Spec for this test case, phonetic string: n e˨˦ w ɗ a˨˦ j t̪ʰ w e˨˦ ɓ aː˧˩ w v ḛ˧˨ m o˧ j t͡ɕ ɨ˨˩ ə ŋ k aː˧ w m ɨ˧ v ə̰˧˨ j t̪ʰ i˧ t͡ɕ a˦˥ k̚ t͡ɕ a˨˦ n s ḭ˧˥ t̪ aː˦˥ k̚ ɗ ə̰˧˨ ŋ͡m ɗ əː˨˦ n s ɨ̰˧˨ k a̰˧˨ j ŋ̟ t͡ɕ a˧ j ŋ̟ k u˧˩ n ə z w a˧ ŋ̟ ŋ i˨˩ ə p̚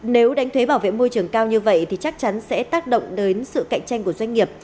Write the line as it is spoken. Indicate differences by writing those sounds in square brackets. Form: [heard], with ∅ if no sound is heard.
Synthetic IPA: n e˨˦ w ɗ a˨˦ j t̪ʰ w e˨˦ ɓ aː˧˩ w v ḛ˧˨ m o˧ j t͡ɕ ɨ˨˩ ə ŋ k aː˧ w [ɲ] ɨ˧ v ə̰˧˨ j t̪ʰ [i˨˩] t͡ɕ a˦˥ k̚ t͡ɕ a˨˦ n s [ɛ̰˧˥] t̪ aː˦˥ k̚ ɗ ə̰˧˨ ŋ͡m ɗ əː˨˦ n s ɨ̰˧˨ k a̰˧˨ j ŋ̟ t͡ɕ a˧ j ŋ̟ k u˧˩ [∅] ə z w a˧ ŋ̟ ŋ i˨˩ ə p̚